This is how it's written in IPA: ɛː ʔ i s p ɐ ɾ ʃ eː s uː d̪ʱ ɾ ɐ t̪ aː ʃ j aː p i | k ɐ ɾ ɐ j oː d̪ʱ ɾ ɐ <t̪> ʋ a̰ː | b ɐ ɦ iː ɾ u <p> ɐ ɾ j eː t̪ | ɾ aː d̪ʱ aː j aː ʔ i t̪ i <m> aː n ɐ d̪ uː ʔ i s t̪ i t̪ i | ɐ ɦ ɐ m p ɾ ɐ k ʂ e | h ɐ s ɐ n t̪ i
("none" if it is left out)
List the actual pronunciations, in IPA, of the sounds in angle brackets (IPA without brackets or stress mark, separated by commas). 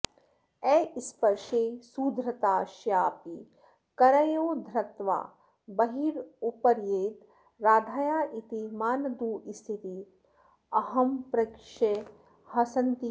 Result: t̪, p, m